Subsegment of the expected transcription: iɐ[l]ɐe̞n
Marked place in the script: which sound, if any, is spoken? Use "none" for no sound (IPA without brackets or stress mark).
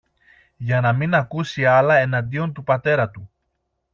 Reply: l